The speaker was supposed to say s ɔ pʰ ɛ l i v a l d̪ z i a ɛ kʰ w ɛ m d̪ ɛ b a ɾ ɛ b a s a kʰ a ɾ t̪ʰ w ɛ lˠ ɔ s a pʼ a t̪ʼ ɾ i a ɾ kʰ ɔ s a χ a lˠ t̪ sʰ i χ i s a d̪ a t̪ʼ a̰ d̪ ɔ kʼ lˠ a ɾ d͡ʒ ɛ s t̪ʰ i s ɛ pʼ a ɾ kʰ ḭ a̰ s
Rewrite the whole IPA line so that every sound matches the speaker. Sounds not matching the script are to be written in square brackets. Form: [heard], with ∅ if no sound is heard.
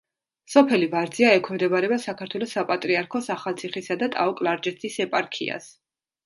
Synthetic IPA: s ɔ pʰ ɛ l i v a [ɾ] d̪ z i a ɛ kʰ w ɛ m d̪ ɛ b a ɾ ɛ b a s a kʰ a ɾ t̪ʰ w ɛ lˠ ɔ s a pʼ a t̪ʼ ɾ i a ɾ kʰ ɔ s a χ a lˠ t̪ sʰ i χ i s a d̪ a t̪ʼ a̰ [∅] ɔ kʼ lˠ a ɾ d͡ʒ ɛ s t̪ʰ i s ɛ pʼ a ɾ kʰ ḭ a̰ s